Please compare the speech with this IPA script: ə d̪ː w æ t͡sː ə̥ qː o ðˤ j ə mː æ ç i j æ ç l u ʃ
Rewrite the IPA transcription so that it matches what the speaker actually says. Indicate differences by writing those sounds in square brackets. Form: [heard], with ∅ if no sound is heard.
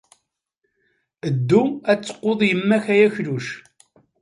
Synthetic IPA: ə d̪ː [u] æ t͡sː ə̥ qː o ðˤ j ə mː æ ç [æ] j æ ç l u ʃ